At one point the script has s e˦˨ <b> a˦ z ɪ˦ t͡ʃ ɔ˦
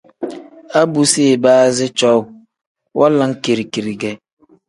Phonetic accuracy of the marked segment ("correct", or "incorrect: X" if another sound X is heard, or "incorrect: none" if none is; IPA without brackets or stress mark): correct